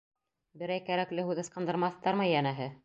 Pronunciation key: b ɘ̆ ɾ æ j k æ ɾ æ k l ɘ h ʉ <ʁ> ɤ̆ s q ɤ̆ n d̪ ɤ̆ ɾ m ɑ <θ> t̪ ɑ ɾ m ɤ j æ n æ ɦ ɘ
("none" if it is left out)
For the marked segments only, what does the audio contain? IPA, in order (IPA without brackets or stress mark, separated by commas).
ð, θ